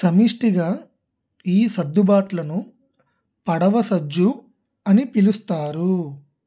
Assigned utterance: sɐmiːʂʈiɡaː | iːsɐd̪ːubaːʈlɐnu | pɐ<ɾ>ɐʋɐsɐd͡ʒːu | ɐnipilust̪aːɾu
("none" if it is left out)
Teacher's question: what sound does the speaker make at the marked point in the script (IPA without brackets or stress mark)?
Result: ɽ